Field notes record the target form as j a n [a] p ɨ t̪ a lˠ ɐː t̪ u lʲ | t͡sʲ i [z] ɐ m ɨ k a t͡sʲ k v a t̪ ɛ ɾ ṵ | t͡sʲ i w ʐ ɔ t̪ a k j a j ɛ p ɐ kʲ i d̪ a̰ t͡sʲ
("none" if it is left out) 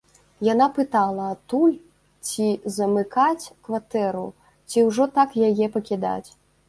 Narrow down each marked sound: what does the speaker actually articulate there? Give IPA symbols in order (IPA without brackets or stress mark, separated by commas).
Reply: a, z